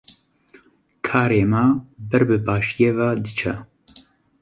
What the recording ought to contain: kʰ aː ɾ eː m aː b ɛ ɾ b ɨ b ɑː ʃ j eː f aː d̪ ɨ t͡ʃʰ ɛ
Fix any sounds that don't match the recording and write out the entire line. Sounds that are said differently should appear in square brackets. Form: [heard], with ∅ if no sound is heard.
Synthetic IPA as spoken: kʰ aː ɾ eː m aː b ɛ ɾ b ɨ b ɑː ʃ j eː [v] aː d̪ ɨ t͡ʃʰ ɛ